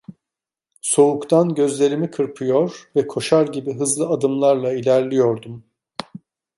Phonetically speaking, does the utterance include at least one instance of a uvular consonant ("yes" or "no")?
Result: no